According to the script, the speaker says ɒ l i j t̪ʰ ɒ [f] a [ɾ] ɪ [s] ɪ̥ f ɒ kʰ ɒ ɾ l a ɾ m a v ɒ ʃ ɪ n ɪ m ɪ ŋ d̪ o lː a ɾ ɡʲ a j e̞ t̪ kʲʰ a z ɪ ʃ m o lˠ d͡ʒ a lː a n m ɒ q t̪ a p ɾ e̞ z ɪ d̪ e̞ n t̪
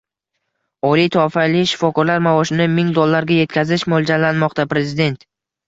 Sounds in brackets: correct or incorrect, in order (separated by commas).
correct, incorrect, incorrect